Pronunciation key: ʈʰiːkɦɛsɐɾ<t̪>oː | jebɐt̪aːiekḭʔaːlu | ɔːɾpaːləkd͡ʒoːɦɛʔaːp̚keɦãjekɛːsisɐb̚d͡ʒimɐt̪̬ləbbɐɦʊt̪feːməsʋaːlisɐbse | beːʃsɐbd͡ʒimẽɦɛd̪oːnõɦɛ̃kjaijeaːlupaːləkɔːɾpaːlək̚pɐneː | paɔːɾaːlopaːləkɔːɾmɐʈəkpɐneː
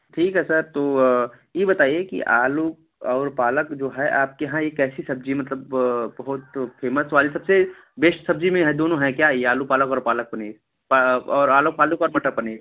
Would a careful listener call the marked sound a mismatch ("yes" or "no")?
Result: no